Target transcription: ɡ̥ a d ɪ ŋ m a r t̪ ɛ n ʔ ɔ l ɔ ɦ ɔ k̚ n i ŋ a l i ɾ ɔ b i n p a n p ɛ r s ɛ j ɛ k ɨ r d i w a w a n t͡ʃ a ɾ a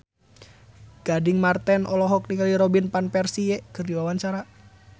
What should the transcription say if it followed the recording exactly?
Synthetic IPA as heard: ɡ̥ a d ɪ ŋ m a r t̪ ɛ n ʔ ɔ l ɔ ɦ ɔ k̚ n i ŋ a l i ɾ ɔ b i n p a n p ɛ r s i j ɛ k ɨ r d i w a w a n t͡ʃ a ɾ a